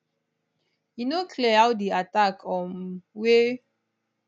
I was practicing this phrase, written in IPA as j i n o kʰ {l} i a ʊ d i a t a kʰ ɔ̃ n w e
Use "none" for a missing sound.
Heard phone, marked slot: l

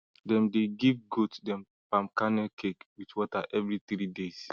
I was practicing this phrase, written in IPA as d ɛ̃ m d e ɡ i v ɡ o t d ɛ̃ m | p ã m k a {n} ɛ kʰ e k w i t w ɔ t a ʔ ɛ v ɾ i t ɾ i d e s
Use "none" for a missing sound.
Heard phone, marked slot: n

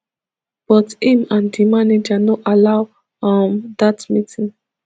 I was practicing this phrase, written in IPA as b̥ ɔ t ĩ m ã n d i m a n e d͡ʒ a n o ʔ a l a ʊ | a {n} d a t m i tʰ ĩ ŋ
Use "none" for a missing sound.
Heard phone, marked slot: m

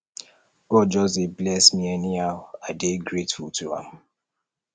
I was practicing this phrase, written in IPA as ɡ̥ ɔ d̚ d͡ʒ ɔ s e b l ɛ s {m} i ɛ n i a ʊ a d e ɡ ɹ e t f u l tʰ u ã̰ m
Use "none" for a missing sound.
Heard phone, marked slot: m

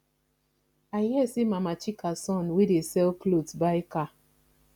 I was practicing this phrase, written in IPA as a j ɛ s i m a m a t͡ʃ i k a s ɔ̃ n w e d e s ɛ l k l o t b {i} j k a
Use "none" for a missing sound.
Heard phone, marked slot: a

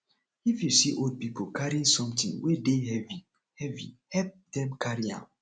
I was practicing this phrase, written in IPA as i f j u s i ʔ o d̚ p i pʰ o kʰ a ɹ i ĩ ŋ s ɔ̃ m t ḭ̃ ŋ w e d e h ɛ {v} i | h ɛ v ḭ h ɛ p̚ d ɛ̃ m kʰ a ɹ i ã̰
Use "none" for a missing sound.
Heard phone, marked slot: v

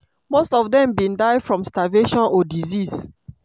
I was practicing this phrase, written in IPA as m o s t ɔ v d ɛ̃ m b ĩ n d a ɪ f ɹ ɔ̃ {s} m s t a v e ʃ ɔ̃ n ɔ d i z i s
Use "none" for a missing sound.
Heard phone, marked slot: none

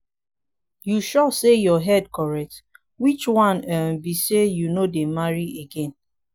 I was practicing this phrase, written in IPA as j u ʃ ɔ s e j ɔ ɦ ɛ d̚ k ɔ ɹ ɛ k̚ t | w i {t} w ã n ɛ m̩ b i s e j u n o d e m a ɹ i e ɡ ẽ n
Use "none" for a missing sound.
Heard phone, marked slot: t͡ʃ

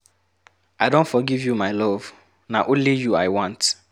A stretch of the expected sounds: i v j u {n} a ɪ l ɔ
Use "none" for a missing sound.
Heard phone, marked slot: m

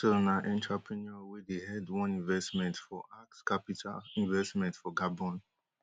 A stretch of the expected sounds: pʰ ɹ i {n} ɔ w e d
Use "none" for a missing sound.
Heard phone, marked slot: n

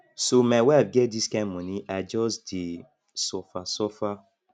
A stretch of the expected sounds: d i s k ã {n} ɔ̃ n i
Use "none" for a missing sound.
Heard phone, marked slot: m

